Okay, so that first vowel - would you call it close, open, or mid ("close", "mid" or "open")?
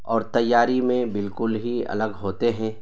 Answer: mid